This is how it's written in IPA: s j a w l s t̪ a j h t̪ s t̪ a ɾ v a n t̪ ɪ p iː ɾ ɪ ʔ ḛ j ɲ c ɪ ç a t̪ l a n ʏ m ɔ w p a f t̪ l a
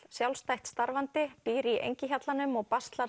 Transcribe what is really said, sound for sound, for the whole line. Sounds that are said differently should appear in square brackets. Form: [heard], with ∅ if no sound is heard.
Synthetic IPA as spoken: s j a w l s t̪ a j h t̪ s t̪ a ɾ v a n t̪ ɪ p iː ɾ [i] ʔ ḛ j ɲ c ɪ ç a t̪ l a n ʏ m ɔ [ɣ] p a [s] t̪ l a